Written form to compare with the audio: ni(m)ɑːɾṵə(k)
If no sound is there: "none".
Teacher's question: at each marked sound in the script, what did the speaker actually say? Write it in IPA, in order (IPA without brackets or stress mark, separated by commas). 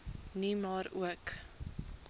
m, k